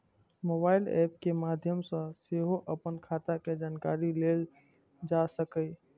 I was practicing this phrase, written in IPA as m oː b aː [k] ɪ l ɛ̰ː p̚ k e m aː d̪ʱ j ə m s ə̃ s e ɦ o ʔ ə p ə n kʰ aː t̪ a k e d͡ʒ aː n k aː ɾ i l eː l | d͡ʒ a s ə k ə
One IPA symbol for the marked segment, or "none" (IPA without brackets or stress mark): none